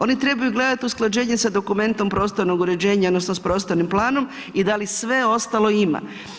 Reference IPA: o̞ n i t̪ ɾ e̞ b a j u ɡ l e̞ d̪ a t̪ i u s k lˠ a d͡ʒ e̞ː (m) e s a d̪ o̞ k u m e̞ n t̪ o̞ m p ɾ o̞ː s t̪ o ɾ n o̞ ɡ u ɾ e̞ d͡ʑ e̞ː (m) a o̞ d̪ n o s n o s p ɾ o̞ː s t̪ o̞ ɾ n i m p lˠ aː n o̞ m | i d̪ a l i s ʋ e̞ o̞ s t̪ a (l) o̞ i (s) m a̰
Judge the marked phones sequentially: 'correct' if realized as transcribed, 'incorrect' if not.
incorrect: ɲ, incorrect: ɲ, correct, incorrect: none

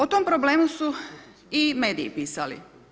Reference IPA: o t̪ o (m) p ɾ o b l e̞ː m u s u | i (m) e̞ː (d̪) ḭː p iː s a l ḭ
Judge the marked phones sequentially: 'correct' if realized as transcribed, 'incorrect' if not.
correct, correct, correct

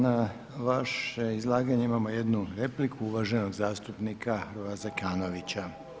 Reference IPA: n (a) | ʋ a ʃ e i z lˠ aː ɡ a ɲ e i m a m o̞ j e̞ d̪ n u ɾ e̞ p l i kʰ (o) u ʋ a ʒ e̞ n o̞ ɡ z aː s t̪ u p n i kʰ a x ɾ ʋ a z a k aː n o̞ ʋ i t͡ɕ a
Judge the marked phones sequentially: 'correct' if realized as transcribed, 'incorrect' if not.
correct, incorrect: u

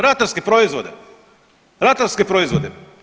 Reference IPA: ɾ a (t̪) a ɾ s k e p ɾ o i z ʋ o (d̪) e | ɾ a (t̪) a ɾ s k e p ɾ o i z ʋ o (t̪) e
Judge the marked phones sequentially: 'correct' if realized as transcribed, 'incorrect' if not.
correct, correct, correct, incorrect: d̪

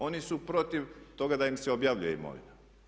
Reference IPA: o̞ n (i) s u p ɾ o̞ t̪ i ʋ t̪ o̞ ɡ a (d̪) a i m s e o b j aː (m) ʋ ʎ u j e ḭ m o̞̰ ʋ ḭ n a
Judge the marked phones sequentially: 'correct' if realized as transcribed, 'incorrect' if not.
correct, correct, incorrect: none

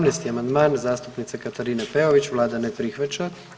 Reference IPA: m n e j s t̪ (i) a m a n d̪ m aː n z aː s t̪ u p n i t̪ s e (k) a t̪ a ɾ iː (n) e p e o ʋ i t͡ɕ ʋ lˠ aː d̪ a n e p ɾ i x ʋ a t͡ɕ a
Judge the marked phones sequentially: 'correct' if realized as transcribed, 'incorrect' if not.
correct, correct, correct

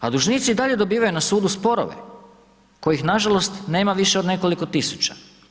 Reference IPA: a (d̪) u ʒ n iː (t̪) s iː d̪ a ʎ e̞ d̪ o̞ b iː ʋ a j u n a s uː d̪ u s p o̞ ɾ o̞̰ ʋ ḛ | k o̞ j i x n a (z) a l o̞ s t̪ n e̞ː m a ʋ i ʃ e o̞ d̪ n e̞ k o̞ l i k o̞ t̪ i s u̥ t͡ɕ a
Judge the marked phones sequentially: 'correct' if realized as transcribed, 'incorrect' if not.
correct, correct, incorrect: ʒ

